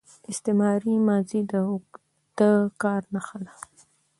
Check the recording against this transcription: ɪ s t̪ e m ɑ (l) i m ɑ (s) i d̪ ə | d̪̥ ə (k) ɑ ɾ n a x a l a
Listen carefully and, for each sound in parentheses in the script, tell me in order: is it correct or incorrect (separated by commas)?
incorrect, incorrect, correct